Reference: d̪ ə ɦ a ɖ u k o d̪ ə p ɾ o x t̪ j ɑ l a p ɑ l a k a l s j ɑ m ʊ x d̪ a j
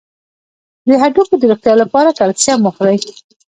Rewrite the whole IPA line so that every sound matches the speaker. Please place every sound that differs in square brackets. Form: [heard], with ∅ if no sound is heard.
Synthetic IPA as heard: d̪ ə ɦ a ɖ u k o d̪ ə [∅] ɾ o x t̪ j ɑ l a p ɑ [ɾ] a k a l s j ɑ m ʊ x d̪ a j